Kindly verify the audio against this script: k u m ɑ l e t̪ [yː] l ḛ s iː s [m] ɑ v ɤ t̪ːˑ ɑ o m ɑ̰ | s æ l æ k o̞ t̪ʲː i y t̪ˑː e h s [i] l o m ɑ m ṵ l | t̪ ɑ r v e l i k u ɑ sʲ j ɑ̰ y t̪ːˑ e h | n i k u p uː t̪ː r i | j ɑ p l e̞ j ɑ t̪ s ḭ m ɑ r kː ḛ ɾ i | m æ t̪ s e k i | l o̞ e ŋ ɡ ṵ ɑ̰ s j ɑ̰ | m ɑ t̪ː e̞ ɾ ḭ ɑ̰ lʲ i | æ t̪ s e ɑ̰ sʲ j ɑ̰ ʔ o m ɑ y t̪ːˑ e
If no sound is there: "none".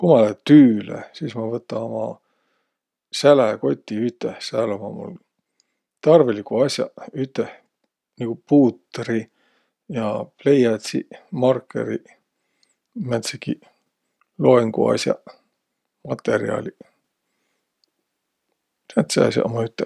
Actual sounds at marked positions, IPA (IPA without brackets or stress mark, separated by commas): yː, m, æ